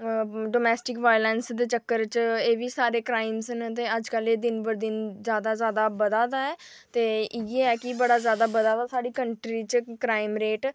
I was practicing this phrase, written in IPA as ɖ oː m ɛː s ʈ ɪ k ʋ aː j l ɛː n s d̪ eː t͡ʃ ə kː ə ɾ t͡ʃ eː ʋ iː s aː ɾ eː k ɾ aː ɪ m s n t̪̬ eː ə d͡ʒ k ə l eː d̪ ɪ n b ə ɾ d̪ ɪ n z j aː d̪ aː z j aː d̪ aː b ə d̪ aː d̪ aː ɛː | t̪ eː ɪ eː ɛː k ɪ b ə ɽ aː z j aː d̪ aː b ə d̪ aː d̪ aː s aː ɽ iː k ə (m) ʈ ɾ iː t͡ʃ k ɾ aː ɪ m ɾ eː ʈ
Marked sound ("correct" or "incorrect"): incorrect